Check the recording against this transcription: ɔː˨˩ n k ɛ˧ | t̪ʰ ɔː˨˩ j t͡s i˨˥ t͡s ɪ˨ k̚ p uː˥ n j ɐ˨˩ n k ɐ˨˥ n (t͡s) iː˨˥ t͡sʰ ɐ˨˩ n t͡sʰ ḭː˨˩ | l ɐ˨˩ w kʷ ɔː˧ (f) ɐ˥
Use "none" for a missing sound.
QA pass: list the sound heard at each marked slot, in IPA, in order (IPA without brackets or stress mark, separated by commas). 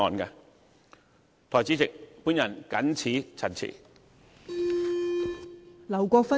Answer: t͡sʰ, f